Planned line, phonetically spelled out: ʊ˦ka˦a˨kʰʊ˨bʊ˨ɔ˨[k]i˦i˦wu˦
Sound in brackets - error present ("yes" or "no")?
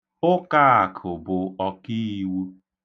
no